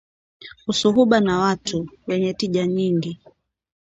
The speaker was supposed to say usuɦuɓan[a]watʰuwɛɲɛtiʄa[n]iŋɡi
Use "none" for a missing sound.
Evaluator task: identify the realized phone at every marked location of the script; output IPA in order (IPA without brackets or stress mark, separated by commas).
a, ɲ